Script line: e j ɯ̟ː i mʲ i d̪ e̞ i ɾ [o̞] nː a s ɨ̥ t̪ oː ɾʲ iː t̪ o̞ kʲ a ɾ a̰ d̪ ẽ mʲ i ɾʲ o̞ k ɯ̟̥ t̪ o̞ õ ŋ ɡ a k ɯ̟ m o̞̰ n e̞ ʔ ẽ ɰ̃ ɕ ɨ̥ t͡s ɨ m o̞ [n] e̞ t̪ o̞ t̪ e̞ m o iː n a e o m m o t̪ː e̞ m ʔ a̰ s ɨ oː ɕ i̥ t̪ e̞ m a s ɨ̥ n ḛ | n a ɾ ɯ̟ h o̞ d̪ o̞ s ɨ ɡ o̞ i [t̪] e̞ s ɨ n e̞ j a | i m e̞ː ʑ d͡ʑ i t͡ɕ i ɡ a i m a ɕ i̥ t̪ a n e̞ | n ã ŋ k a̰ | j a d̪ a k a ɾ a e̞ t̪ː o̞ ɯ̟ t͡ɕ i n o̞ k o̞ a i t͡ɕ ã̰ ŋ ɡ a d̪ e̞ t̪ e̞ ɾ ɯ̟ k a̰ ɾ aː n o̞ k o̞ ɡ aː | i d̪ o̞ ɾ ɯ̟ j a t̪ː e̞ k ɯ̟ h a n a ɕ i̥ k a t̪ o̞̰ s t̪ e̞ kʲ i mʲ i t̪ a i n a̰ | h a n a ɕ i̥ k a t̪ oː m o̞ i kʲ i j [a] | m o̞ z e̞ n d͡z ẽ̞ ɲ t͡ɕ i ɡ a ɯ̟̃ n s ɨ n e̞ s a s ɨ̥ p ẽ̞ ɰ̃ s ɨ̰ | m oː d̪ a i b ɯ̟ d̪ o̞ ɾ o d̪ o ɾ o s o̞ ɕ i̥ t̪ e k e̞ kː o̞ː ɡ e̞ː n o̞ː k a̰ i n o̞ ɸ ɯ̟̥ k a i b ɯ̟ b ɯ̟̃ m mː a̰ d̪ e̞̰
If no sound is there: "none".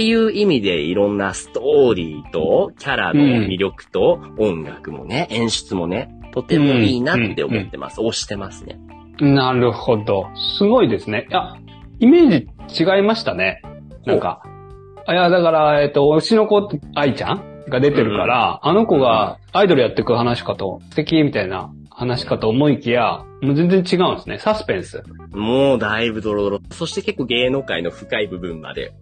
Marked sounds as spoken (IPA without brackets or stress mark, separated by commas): õ̞, n, d̪, a